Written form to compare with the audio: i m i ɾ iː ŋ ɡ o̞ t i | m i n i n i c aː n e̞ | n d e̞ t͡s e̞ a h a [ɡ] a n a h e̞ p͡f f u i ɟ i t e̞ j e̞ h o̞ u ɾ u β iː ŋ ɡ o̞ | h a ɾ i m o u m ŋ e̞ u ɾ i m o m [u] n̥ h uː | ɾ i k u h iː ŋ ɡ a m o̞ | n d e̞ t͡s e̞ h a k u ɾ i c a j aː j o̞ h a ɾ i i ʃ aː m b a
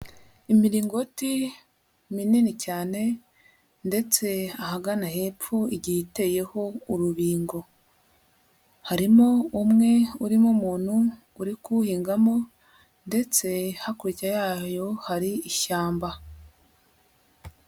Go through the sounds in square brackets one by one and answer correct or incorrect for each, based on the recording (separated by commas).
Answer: correct, incorrect